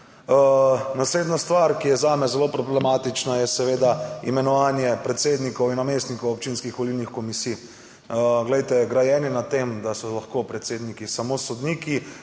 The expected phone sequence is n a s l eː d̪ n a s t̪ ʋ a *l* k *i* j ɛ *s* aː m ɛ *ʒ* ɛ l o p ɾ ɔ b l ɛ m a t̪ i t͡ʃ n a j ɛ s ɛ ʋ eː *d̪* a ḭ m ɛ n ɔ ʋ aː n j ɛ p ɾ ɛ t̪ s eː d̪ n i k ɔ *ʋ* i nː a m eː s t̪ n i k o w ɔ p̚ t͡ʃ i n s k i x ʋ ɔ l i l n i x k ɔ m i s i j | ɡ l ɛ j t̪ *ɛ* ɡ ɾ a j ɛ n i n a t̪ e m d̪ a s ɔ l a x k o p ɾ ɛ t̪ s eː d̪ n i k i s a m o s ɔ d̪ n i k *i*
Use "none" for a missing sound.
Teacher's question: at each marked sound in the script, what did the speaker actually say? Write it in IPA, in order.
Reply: ɾ, i, z, z, d̪, w, ɛ, i

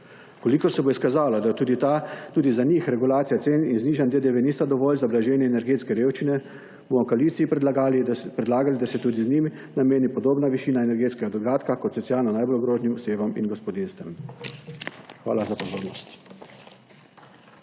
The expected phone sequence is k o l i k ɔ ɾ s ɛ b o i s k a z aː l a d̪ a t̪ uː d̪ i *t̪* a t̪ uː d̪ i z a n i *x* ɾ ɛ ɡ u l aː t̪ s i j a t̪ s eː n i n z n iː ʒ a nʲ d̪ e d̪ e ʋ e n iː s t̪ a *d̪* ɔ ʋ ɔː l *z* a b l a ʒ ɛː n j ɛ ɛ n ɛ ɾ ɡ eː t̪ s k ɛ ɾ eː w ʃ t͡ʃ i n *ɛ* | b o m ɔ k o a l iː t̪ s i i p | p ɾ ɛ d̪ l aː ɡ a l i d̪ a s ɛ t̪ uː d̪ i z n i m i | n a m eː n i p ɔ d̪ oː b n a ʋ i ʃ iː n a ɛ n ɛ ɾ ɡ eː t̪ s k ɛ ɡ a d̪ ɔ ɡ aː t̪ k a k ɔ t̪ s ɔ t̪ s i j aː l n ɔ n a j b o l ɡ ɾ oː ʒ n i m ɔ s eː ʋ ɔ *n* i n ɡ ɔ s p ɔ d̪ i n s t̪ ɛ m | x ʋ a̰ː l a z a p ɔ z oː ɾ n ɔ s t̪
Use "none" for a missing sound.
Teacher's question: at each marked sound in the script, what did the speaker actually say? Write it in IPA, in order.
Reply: t̪, x, d̪, z, ɛ, m

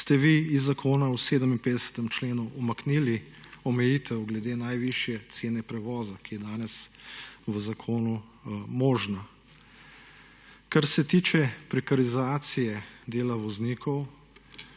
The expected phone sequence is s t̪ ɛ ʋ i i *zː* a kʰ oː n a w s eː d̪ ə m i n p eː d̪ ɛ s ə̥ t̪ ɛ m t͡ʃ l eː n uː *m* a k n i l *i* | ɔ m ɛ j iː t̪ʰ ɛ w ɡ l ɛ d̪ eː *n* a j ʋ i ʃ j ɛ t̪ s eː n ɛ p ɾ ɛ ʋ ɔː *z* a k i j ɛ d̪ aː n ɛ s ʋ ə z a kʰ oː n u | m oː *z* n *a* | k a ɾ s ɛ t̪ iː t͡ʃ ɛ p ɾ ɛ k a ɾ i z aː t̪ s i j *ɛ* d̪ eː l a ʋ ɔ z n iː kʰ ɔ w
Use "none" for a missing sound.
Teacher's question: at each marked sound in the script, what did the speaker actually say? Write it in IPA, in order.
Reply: zː, m, i, n, z, ʒ, a, ɛ

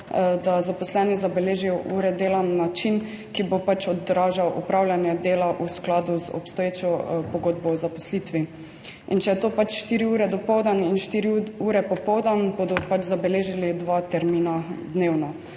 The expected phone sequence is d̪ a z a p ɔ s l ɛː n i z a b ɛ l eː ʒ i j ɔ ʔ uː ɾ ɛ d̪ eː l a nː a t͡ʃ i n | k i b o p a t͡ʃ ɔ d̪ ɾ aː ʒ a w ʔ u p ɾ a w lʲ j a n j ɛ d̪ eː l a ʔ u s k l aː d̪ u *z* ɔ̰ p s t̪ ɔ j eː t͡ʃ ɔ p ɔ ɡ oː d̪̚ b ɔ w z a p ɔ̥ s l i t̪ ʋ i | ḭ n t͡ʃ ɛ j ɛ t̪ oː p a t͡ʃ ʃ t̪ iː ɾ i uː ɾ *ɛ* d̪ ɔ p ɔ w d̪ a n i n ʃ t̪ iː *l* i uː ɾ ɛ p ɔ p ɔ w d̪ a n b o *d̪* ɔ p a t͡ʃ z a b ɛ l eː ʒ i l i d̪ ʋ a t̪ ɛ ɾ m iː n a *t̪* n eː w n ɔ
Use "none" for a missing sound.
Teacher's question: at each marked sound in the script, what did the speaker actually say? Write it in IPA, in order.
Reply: z, ɛ, ɾ, d̪, d̪

